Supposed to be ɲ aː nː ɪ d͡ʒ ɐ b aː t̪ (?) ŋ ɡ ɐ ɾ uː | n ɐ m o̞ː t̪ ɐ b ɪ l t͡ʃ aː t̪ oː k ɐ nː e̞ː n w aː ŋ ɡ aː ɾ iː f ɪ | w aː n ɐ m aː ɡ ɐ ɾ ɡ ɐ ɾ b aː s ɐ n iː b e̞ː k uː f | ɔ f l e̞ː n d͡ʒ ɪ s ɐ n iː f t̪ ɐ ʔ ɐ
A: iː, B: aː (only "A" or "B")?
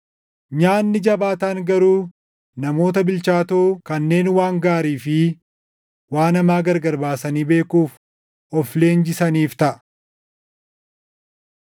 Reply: B